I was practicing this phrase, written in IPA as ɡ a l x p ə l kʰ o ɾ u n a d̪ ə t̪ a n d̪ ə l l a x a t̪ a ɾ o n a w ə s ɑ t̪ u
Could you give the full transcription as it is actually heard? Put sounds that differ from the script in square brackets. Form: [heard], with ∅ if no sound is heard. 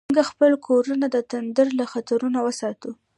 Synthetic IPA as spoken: ɡ a [∅] x p ə l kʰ o ɾ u n a d̪ ə t̪ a n d̪ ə [ɾ] l a x a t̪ a ɾ [u] n a w ə s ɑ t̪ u

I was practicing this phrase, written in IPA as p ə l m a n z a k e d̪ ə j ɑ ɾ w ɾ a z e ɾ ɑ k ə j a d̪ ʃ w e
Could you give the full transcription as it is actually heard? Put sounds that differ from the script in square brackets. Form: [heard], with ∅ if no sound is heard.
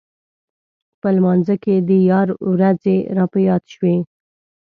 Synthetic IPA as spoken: p ə l m [ɑ] n z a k e d̪ ə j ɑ ɾ w ɾ a z e ɾ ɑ [p] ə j [ɑ] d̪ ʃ w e

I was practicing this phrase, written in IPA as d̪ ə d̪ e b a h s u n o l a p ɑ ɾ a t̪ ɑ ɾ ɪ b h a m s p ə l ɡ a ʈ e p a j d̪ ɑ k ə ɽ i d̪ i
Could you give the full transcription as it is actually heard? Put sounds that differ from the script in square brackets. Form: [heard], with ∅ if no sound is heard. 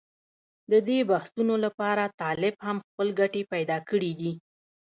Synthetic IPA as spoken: d̪ ə d̪ e b a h s u n o l a p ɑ ɾ a t̪ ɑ [l] ɪ b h a m [x] p ə l ɡ a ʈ e p a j d̪ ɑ k ə ɽ i d̪ i

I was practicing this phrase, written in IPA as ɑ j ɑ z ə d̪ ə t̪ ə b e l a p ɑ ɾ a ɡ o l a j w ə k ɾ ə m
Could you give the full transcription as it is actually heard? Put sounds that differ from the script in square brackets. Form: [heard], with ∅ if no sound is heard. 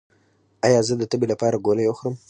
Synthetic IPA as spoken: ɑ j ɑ z ə d̪ ə t̪ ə b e l a p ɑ ɾ a ɡ o l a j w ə [x] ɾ ə m

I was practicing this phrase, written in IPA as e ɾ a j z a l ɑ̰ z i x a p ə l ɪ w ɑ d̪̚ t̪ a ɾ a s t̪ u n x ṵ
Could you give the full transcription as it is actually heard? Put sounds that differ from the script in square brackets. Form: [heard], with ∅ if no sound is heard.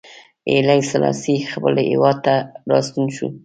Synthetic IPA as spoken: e [l] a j [s] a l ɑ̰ [s] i x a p ə l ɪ w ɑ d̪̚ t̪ a ɾ [ɑ] s t̪ u n [ʃ] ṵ

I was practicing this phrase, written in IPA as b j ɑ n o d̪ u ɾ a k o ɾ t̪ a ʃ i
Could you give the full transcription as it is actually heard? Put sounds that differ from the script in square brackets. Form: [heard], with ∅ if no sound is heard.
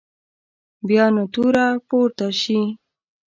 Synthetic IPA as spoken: b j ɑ n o [t̪] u ɾ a [p] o ɾ t̪ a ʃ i

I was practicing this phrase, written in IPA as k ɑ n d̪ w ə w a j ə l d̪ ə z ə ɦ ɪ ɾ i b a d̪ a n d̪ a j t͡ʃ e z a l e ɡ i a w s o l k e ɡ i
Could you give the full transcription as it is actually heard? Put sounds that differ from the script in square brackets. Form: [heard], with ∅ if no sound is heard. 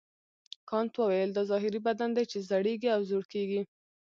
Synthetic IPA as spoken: k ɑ n [t̪] w ə w a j ə l d̪ [ɑ] z [ɑ] ɦ ɪ ɾ i b a d̪ a n d̪ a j t͡ʃ e z a [ɽ] e ɡ i a w [z] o [ɽ] k e ɡ i

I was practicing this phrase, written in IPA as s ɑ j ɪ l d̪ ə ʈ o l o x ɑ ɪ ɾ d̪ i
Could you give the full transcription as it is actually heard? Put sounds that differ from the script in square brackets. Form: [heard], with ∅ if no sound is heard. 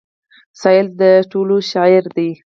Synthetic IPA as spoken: s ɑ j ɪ l d̪ ə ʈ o l o [ʃ] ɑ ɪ ɾ d̪ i

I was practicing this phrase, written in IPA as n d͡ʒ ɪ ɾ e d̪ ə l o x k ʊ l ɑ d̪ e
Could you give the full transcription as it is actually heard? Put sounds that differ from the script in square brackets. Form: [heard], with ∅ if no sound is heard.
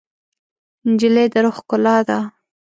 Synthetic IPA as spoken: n d͡ʒ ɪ [l] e d̪ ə [ɾ] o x k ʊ l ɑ d̪ [a]

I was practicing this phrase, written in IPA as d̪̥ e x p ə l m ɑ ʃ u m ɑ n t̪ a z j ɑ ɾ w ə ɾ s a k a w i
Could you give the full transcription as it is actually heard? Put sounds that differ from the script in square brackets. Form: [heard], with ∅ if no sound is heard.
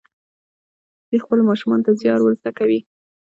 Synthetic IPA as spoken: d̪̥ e x p ə l m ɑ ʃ u m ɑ n t̪ a z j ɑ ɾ w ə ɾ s a k a w i

